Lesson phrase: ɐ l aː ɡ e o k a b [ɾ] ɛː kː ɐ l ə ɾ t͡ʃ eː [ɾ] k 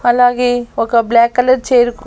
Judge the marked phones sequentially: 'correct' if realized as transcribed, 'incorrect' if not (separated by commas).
incorrect, correct